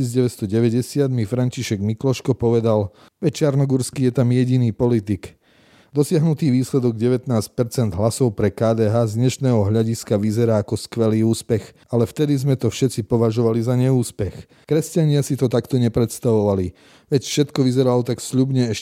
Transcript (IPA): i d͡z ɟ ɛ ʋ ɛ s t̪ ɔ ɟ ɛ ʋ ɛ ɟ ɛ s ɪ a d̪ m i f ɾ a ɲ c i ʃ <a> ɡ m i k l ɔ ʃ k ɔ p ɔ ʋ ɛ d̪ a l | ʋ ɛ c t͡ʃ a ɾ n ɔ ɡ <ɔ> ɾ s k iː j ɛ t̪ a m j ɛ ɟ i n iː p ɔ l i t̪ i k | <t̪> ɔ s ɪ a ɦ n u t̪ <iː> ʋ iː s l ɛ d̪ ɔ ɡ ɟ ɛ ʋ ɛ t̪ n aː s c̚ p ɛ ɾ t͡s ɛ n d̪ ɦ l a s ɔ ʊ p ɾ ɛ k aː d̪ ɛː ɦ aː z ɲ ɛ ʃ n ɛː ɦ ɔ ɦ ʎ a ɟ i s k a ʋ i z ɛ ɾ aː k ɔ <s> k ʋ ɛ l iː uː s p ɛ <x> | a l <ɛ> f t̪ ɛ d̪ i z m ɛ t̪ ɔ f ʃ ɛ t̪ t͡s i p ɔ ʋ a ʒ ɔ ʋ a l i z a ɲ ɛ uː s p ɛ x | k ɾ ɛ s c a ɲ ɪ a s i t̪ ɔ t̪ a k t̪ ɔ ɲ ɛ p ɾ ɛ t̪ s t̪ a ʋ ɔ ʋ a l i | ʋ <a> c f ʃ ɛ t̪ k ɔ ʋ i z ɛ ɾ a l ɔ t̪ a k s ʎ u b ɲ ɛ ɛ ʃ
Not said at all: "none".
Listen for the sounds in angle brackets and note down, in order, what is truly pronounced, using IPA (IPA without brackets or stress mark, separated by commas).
ɛ, u, d̪, iː, s, x, ɛ, ɛ